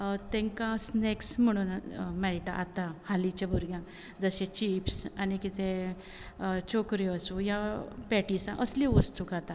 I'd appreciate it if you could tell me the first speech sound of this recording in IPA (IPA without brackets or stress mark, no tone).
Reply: t̪